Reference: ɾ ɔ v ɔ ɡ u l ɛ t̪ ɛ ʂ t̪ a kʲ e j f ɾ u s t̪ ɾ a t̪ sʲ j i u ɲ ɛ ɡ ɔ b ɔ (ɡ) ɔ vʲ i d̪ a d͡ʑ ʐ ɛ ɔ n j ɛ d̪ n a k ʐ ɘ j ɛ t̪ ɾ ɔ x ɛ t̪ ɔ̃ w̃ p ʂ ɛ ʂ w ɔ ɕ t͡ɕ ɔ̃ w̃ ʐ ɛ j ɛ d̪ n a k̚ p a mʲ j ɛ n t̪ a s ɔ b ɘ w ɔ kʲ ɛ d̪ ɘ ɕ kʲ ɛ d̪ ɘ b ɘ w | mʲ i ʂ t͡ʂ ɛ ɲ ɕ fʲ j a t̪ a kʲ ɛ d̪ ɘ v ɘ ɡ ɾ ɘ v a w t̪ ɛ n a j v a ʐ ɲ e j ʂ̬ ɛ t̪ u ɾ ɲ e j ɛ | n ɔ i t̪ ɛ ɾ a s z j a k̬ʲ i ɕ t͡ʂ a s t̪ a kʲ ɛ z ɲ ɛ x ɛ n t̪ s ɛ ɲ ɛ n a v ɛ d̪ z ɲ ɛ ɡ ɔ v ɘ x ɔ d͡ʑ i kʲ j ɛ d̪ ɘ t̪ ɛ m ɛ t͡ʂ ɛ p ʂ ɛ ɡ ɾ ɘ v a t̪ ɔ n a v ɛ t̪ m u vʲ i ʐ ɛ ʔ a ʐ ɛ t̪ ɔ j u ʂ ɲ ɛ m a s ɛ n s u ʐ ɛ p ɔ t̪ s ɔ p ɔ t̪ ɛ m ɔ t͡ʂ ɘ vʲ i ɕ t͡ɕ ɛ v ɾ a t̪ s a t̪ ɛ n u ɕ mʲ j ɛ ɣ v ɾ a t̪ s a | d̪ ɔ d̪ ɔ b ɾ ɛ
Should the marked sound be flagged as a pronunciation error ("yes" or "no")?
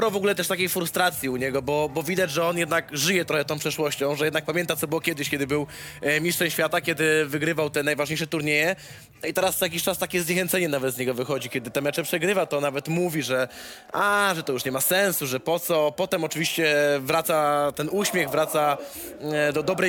yes